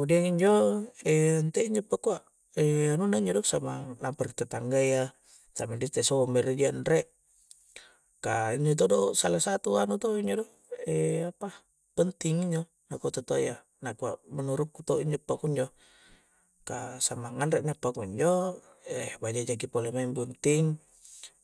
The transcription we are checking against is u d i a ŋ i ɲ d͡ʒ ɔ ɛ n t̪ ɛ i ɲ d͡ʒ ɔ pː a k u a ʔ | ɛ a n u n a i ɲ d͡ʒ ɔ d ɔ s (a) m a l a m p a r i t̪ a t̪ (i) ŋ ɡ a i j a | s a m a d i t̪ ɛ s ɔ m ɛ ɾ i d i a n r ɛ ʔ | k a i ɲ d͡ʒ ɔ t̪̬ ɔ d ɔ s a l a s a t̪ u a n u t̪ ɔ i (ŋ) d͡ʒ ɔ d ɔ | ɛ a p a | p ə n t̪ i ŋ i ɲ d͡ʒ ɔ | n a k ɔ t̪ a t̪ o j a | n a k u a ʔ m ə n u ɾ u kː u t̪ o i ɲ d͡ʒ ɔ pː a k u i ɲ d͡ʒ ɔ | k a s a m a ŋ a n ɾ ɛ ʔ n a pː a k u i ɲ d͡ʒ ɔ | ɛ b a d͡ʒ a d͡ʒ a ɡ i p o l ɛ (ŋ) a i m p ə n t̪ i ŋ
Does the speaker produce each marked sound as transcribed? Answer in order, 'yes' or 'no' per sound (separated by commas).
yes, no, no, no